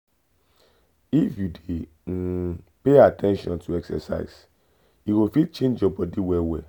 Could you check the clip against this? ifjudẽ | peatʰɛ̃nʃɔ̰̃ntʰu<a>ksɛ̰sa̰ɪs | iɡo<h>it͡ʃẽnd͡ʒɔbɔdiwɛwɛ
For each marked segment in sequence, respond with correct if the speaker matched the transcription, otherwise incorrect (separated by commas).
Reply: incorrect, incorrect